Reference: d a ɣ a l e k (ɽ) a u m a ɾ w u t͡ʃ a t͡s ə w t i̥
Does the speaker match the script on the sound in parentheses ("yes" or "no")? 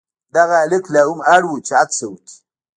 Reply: no